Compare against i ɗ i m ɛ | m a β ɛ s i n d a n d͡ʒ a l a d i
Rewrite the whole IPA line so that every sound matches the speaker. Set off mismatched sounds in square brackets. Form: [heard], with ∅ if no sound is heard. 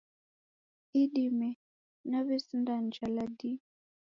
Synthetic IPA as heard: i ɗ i m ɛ | [n] a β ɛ s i n d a n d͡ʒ a l a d i